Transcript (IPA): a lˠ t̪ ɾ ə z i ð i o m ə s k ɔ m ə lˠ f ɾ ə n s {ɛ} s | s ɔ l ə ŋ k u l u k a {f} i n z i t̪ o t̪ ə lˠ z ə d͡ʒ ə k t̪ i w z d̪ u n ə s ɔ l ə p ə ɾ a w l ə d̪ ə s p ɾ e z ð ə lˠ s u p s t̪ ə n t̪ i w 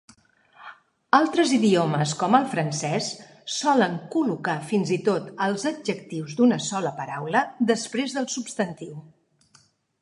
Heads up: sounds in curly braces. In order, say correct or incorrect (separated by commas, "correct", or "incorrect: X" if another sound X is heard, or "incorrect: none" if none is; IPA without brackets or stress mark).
correct, correct